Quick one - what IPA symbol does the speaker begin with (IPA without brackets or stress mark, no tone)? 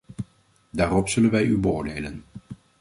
d